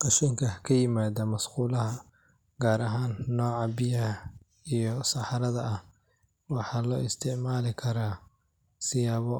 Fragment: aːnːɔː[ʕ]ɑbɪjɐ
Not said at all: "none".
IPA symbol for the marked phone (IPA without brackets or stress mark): ʕ